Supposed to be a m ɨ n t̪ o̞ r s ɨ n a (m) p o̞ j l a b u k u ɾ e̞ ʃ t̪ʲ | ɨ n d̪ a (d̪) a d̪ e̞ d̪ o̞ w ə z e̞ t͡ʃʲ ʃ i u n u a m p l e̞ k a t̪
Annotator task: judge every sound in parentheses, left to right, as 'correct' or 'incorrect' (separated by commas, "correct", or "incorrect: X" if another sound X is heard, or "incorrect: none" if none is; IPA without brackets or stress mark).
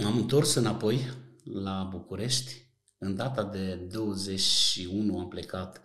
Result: incorrect: none, incorrect: t̪